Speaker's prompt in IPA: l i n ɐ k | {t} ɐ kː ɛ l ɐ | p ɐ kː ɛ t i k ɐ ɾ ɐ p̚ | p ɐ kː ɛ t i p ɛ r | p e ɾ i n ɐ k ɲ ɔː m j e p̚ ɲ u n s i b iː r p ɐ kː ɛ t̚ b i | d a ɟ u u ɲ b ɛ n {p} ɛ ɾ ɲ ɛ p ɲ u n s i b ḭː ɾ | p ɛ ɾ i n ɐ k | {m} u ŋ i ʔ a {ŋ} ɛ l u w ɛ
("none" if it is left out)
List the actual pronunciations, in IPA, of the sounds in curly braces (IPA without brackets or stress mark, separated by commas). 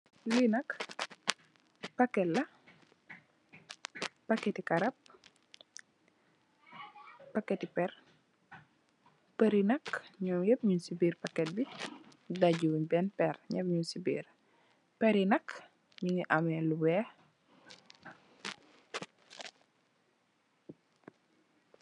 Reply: p, p, ɲ, m